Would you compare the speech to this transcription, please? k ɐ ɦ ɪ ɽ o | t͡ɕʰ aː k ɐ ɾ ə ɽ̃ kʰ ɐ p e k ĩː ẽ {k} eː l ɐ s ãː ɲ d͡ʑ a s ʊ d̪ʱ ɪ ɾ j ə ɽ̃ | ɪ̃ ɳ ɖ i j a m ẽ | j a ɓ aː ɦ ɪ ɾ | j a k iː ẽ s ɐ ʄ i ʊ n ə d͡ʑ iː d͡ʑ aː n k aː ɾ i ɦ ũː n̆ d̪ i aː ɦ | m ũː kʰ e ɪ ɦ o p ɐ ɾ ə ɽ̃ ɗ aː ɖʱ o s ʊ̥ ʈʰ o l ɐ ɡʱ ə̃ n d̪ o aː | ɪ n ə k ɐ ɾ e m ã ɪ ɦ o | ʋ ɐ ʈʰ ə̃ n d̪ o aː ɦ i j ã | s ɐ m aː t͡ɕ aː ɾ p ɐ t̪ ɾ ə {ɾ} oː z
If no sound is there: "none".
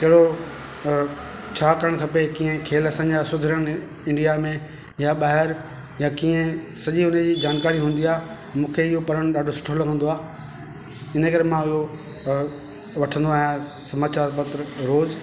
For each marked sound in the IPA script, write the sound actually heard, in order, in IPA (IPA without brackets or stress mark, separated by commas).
kʰ, ɾ